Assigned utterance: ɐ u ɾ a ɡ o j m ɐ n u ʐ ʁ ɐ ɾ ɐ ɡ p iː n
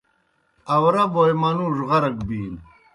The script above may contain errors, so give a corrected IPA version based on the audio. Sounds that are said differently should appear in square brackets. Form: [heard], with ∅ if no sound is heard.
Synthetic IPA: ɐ [w] ɾ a [b] o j m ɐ n u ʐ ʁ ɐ ɾ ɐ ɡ [b] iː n